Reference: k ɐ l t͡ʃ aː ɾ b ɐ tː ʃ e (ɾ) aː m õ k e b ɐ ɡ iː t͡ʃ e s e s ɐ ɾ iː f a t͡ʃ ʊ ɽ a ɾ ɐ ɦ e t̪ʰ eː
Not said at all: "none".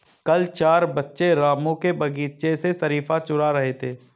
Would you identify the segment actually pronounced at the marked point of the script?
ɾ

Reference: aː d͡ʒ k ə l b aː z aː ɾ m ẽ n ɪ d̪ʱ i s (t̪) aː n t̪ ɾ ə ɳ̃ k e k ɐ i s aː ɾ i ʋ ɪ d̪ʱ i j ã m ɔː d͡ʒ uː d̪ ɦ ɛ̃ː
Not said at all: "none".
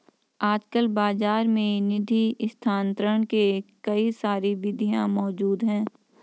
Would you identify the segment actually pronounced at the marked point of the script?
t̪ʰ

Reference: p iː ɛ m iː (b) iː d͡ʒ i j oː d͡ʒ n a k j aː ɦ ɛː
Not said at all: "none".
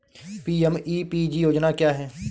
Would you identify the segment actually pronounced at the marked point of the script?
p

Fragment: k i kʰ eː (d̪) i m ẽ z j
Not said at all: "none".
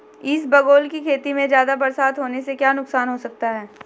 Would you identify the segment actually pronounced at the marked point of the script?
t̪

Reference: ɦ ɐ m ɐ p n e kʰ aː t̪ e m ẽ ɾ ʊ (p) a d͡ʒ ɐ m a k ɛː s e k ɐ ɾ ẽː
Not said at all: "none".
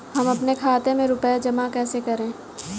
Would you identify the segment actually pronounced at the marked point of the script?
p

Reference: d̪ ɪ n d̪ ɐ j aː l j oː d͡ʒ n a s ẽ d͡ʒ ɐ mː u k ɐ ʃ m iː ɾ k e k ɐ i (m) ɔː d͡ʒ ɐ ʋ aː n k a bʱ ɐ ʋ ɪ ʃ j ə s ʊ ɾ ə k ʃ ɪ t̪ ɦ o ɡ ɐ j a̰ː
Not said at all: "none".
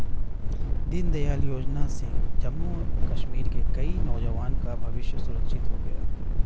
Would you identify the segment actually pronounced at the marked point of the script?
n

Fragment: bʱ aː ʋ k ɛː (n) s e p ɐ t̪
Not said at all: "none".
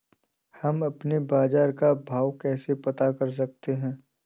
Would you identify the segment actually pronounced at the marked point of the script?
none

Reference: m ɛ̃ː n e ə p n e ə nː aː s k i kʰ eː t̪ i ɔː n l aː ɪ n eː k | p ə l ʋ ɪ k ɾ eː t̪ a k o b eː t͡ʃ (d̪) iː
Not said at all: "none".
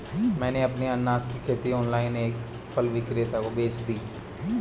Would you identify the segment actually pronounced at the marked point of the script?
d̪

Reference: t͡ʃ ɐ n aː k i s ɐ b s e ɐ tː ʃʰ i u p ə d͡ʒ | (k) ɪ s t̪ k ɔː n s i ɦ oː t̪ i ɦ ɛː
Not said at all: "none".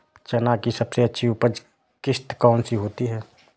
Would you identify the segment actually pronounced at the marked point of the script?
k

